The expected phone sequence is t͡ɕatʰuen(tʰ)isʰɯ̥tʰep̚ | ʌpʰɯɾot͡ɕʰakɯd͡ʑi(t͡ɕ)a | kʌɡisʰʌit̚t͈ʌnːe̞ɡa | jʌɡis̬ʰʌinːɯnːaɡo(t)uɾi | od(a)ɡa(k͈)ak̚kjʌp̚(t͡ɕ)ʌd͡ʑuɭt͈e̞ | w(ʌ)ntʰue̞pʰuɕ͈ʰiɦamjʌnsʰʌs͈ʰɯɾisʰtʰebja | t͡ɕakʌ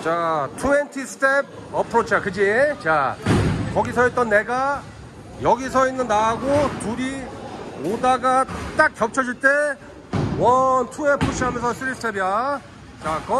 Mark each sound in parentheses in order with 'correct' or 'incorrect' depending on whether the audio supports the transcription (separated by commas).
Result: correct, correct, correct, correct, incorrect, incorrect, correct